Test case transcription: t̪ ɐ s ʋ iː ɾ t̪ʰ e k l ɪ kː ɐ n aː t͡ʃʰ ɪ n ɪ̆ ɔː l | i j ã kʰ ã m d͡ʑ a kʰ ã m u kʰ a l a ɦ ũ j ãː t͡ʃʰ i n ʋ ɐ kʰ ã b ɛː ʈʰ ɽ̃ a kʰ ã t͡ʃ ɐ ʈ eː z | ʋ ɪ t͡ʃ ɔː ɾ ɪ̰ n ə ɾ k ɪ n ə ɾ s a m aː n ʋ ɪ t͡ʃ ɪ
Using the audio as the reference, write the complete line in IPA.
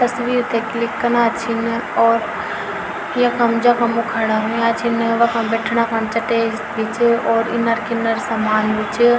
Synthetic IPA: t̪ ɐ s ʋ iː ɾ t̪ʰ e k l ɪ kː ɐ n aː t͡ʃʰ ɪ n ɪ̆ ɔː ɾ | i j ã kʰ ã m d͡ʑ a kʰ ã m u kʰ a ɽ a ɦ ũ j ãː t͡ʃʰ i n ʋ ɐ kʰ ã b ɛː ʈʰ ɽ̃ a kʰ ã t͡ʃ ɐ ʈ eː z | ʋ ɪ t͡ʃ ɔː ɾ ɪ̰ n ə ɾ k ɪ n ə ɾ s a m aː n ʋ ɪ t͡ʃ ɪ